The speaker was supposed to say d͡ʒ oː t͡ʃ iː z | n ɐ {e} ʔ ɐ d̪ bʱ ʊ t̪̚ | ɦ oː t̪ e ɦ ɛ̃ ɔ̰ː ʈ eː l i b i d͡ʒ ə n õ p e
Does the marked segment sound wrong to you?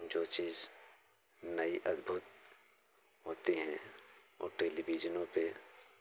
yes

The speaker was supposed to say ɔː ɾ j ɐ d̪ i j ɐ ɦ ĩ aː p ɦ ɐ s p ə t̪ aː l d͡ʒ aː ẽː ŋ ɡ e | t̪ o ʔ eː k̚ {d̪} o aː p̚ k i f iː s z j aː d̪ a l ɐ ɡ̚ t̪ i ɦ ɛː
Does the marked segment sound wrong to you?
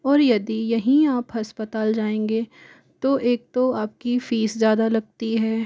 yes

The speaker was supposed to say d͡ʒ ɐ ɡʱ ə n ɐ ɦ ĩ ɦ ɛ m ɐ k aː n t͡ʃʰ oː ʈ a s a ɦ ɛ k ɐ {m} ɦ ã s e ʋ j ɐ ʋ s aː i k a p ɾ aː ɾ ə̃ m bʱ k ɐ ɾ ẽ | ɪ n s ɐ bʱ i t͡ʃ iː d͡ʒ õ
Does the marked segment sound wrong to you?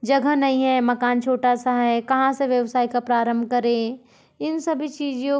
yes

